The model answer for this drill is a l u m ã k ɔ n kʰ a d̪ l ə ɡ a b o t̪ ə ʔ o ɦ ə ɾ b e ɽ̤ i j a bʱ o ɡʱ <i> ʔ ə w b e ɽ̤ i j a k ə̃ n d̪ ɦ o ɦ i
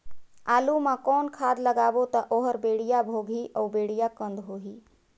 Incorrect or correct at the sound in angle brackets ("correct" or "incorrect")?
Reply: correct